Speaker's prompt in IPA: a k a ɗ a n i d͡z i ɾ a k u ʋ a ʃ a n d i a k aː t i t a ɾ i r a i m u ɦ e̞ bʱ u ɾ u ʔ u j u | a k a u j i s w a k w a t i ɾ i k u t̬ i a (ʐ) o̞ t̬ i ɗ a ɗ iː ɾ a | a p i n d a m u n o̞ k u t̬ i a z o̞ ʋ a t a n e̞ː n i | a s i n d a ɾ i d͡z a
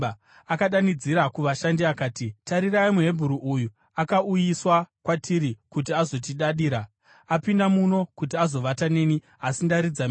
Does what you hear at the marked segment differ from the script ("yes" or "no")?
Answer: yes